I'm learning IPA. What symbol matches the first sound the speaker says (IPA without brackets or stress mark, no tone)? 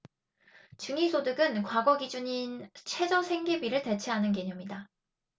t͡ɕ